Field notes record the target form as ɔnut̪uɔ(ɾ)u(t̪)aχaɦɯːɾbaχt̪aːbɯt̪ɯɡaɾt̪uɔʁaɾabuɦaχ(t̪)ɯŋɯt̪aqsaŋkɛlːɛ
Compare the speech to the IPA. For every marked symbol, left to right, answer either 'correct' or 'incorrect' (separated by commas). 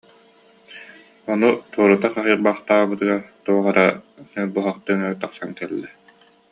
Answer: correct, correct, correct